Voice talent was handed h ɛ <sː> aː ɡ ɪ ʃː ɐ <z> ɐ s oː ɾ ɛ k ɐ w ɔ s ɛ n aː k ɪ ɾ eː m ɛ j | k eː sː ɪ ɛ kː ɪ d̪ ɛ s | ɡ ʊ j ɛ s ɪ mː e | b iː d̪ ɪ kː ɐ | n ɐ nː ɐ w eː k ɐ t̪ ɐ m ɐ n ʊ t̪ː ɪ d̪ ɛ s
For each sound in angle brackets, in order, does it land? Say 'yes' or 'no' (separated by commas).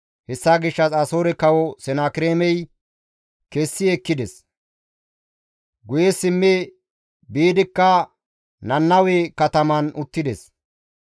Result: yes, no